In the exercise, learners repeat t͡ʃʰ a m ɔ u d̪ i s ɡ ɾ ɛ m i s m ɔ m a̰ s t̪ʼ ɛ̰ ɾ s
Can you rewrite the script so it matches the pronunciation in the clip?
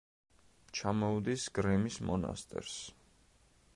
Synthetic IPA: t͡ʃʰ a m ɔ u d̪ i s ɡ ɾ ɛ m i s m ɔ n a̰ s t̪ʼ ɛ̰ ɾ s